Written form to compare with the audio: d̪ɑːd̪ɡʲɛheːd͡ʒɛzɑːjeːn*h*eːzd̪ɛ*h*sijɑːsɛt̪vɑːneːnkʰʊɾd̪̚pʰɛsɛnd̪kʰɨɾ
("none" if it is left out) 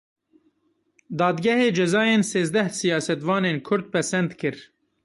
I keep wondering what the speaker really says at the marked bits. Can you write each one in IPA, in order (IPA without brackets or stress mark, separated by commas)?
s, h